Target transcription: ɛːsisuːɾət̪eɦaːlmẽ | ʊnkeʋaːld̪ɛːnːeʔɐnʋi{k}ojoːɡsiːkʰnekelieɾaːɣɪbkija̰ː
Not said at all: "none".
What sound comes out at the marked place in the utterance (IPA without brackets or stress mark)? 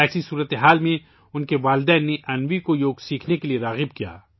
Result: k